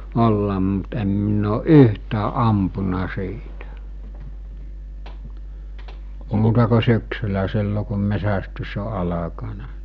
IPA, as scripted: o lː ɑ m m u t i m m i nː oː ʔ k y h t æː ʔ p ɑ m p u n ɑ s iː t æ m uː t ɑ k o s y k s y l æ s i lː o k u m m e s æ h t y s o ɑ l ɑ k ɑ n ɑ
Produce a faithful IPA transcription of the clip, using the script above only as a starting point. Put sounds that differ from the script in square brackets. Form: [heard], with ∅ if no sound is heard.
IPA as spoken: o lː ɑ m m u t [e] m m i nː oː ʔ [ʔ] y h t æː ʔ [ʔ] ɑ m p u n ɑ s iː t æ m uː t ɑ k o s y k s y l æ s i lː o k u m m e s æ [s] t y s o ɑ l ɑ k ɑ n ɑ